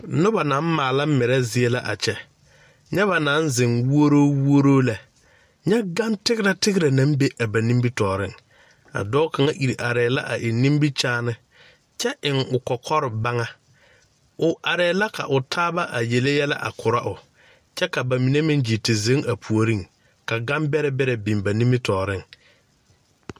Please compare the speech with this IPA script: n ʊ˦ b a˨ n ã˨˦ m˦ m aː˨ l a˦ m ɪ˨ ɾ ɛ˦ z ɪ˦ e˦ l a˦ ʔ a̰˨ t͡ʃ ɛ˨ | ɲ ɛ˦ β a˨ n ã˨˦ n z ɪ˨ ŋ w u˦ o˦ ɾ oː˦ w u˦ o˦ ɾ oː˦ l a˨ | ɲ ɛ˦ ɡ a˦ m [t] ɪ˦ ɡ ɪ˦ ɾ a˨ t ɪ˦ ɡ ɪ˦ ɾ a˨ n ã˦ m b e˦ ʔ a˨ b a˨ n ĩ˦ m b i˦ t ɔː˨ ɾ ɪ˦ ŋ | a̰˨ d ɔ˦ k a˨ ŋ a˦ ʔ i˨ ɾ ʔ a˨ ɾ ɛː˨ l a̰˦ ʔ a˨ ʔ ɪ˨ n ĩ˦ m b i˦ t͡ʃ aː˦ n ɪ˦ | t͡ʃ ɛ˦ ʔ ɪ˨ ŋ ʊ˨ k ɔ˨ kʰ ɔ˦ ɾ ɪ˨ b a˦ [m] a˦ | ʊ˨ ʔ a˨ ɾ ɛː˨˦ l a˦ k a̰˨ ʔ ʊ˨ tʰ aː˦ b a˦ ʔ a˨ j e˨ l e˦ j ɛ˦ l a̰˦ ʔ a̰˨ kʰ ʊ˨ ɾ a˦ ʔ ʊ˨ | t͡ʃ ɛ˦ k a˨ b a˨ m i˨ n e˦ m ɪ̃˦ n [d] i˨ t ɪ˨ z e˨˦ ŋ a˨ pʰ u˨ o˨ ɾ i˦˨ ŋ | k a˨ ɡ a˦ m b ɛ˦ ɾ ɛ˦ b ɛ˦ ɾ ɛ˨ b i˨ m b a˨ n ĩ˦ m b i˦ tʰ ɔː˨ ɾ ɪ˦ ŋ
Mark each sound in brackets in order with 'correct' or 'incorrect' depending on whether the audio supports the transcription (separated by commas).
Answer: correct, incorrect, incorrect